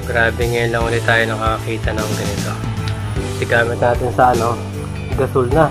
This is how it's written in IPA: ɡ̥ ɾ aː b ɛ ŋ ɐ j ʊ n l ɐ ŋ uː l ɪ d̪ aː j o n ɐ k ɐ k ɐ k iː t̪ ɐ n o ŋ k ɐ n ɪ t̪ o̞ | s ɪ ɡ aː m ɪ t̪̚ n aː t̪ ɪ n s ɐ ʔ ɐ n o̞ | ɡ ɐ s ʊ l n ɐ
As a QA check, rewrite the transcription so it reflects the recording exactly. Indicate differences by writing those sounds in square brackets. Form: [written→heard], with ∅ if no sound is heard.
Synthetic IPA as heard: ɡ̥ ɾ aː b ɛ ŋ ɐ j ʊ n l ɐ ŋ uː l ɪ [d̪→t̪] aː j o n ɐ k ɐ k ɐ k iː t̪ ɐ n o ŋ [k→ɡ] ɐ n ɪ t̪ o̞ | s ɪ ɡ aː m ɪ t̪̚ n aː t̪ ɪ n s ɐ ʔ ɐ n o̞ | ɡ ɐ s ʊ l n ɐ